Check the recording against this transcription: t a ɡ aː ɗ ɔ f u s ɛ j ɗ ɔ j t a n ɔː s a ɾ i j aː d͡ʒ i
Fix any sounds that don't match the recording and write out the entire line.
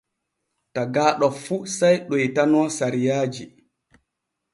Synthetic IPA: t a ɡ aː ɗ ɔ f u s a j ɗ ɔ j t a n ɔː s a ɾ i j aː d͡ʒ i